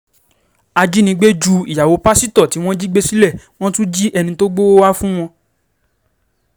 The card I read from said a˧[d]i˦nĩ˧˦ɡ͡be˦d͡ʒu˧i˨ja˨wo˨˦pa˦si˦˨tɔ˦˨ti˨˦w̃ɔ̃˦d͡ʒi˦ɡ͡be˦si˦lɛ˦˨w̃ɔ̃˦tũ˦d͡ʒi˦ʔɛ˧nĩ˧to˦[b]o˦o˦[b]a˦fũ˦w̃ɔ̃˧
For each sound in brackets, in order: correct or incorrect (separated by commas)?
incorrect, incorrect, incorrect